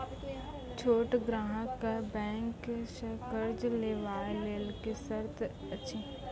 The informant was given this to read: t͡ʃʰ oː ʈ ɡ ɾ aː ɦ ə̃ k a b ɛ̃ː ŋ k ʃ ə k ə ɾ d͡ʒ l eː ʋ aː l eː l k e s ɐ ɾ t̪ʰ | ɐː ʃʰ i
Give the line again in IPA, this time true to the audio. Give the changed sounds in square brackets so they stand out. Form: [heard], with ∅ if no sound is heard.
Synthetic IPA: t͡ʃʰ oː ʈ ɡ ɾ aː ɦ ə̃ k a b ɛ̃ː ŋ k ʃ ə k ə ɾ d͡ʒ l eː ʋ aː l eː l k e s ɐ ɾ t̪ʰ | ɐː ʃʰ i